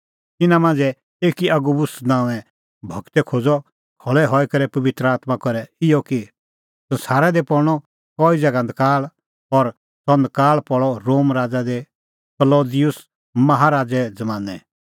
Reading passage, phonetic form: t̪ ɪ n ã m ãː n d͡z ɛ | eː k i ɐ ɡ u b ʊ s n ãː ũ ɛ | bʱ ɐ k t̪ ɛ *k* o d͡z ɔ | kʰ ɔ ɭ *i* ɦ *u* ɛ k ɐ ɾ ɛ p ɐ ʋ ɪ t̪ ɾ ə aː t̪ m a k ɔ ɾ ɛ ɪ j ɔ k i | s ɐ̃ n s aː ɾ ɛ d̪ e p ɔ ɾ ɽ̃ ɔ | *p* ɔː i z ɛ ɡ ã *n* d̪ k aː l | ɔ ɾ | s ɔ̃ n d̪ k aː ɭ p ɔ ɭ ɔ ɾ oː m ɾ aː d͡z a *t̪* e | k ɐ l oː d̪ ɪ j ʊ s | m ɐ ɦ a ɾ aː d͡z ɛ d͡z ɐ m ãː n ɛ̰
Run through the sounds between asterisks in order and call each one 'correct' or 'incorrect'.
incorrect, incorrect, incorrect, incorrect, correct, incorrect

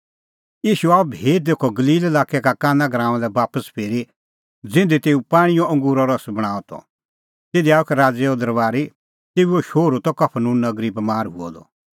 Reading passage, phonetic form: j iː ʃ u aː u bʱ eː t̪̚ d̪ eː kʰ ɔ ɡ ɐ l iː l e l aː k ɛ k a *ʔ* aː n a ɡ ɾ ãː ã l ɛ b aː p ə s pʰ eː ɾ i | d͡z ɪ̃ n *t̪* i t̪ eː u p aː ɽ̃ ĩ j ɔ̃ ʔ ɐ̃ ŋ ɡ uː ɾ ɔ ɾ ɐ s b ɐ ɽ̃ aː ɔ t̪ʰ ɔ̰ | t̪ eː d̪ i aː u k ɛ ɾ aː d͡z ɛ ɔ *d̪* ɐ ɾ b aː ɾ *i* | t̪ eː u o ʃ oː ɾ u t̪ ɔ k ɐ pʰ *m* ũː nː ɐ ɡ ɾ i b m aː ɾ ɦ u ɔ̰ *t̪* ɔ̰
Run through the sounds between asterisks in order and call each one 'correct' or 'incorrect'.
incorrect, incorrect, correct, correct, incorrect, incorrect

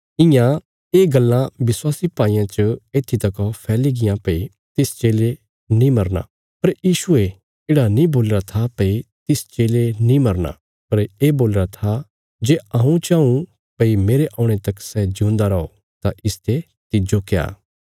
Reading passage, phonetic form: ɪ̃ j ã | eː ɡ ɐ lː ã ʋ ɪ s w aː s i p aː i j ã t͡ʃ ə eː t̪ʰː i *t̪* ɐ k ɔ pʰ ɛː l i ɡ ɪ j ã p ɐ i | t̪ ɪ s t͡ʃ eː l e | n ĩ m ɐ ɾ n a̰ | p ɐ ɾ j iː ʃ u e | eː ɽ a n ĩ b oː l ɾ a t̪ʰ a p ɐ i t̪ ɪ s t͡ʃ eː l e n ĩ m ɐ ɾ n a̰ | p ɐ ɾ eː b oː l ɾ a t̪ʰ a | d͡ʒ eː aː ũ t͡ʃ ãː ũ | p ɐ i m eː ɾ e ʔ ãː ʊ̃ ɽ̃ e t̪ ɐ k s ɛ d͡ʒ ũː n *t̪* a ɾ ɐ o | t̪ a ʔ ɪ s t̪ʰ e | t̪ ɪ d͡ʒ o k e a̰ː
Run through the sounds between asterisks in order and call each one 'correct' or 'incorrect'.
correct, incorrect

